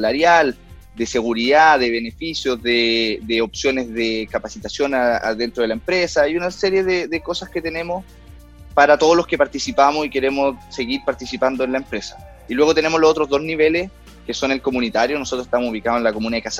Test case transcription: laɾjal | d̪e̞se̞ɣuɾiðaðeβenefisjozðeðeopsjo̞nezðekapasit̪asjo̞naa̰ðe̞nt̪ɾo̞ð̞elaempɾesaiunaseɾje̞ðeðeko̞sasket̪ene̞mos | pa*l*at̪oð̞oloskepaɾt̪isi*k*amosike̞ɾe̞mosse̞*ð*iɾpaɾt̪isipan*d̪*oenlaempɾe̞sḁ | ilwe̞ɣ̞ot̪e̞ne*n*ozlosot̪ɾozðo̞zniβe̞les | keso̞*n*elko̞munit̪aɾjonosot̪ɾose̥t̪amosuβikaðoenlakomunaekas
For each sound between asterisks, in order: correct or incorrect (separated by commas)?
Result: incorrect, incorrect, incorrect, correct, incorrect, correct